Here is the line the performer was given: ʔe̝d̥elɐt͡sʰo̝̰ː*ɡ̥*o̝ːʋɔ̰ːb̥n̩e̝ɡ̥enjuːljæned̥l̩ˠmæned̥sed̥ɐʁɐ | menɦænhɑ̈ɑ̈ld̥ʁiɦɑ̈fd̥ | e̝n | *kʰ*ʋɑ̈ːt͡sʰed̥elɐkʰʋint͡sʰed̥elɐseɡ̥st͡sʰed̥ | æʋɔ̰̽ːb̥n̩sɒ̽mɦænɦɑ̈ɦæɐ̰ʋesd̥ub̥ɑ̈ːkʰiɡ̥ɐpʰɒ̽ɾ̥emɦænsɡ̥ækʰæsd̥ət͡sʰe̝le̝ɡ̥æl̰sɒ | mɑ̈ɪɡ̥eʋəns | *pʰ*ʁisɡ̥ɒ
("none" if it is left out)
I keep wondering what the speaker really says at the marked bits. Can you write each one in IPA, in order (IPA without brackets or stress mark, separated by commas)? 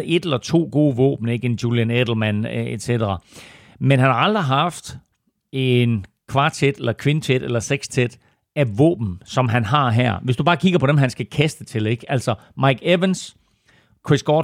ɡ̥, kʰ, kʰ